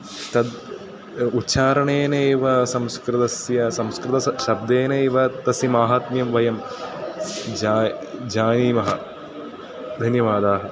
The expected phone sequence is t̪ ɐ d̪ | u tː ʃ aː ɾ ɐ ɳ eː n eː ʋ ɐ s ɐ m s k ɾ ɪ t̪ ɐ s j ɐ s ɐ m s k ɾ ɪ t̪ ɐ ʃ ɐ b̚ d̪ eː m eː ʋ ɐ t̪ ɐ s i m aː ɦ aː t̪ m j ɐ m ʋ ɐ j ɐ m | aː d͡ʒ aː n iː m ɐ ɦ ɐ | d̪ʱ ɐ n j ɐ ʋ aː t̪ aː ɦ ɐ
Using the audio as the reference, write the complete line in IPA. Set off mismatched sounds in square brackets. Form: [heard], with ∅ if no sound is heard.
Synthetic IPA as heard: t̪ ɐ d̪ | u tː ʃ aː ɾ ɐ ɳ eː n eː ʋ ɐ s ɐ m s k ɾ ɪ t̪ ɐ s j ɐ s ɐ m s k ɾ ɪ t̪ ɐ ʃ ɐ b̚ d̪ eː [n] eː ʋ ɐ t̪ ɐ s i m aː ɦ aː t̪ m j ɐ m ʋ ɐ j ɐ m | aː d͡ʒ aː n iː m ɐ ɦ ɐ | d̪ʱ ɐ n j ɐ ʋ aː [d̪] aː ɦ ɐ